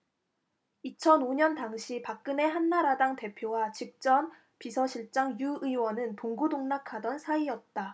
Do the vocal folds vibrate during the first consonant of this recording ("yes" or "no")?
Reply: no